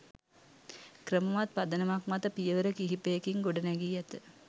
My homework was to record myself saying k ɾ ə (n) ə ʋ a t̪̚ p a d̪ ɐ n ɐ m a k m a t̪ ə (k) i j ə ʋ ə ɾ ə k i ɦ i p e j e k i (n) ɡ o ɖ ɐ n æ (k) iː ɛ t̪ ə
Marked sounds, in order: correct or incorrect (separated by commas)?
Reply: incorrect, incorrect, incorrect, incorrect